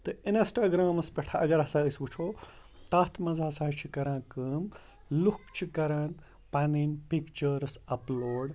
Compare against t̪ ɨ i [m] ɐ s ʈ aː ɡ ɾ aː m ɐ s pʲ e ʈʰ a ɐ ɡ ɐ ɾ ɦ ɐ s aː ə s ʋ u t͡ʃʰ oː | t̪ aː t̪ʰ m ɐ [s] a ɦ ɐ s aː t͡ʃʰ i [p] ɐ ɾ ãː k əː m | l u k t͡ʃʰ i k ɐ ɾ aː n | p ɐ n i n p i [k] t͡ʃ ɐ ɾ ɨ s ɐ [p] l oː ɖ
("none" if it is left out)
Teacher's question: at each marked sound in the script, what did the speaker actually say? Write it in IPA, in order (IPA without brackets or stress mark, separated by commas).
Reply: n, z, k, k, p